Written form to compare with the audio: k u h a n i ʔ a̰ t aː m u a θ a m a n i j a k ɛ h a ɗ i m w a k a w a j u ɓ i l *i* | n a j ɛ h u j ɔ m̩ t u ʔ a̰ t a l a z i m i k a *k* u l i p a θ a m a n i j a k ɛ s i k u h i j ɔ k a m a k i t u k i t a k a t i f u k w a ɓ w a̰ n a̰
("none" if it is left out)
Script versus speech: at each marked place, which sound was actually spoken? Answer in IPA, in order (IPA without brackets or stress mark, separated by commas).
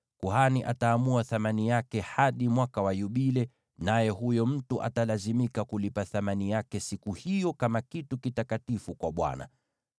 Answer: ɛ, k